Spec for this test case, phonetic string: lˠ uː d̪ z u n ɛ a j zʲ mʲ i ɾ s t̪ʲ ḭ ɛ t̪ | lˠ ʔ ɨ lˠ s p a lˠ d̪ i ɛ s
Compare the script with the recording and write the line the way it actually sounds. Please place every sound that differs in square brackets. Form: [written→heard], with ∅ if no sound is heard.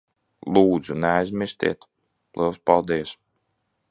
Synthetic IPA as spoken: lˠ uː d̪ z u n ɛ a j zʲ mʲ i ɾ s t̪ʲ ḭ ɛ t̪ | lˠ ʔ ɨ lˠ s p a lˠ d̪ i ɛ s